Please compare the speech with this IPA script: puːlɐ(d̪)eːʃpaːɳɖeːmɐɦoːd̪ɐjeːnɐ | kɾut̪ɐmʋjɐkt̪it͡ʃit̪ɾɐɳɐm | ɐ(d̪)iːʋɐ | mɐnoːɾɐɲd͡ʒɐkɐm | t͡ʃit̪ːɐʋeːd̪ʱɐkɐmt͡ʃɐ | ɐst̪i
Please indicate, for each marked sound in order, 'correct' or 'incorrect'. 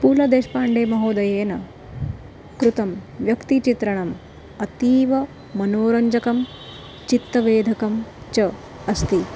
correct, incorrect

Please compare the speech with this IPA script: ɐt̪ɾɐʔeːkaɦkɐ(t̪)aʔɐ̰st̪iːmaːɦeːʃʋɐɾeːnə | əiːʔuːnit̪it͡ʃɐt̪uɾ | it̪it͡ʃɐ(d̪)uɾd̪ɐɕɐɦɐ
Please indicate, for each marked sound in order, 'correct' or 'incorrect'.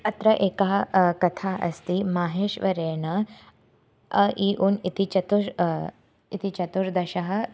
incorrect, incorrect

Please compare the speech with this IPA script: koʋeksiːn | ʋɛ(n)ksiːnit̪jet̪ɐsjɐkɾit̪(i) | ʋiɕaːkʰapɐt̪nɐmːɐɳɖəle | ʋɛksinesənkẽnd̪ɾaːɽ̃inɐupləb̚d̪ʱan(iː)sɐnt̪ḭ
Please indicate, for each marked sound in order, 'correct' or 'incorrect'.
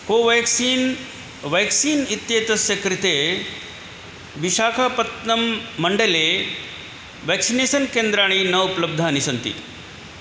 incorrect, incorrect, incorrect

